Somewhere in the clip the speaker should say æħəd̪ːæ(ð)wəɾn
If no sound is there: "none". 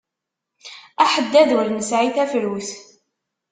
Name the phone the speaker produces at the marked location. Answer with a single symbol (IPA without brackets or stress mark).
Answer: ð